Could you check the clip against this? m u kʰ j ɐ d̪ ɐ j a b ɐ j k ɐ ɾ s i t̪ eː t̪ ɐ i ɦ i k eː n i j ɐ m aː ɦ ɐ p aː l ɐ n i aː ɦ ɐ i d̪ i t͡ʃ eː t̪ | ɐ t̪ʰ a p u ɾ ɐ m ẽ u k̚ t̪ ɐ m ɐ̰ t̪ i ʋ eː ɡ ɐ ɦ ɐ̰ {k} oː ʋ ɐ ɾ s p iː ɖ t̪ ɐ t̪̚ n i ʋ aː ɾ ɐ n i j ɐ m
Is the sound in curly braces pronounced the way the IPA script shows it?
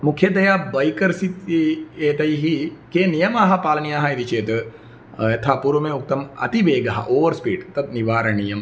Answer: no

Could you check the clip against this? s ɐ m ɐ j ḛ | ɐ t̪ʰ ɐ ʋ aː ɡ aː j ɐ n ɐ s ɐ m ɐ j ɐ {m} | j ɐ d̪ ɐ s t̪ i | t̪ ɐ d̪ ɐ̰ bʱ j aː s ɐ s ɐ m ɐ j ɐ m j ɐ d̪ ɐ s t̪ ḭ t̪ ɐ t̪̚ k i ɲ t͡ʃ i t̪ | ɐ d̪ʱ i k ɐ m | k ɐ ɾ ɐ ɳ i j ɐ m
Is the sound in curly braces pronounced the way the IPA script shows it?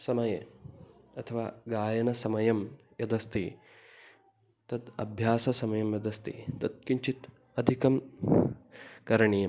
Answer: yes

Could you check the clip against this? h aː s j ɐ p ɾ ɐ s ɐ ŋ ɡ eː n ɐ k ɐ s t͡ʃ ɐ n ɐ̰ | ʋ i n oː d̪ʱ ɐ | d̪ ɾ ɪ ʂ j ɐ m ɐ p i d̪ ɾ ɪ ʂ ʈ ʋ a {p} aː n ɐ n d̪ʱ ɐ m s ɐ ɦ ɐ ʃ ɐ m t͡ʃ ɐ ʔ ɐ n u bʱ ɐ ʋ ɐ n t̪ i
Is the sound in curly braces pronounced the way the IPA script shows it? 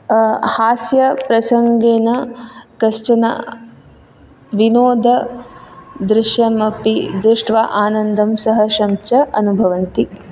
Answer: no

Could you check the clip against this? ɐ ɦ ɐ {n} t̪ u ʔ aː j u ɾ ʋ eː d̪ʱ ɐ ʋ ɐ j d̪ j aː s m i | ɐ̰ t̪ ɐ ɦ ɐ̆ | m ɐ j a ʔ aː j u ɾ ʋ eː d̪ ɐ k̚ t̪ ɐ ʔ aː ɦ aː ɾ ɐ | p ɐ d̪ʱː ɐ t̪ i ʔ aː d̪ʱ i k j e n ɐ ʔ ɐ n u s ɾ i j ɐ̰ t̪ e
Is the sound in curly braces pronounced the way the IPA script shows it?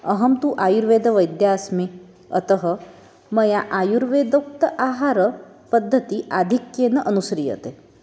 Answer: no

